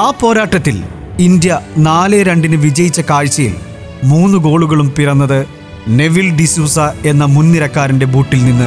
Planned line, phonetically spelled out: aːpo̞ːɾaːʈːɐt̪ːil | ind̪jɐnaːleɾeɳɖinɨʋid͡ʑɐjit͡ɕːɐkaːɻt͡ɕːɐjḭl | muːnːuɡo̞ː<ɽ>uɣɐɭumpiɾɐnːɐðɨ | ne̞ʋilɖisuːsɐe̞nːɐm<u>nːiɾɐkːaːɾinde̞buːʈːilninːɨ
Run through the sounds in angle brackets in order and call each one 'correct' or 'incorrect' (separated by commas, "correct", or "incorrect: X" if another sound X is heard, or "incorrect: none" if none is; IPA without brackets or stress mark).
incorrect: ɭ, correct